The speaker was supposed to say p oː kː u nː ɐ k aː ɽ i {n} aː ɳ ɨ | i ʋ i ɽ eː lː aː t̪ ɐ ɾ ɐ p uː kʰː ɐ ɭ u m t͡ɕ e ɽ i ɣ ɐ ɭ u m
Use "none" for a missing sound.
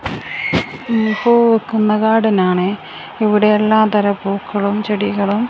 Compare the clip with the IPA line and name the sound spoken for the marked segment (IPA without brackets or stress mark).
n